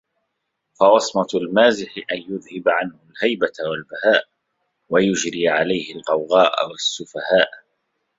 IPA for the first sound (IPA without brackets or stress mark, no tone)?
f